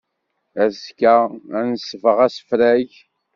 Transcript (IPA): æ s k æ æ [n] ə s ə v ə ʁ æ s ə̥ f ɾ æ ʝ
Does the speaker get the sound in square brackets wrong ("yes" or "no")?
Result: no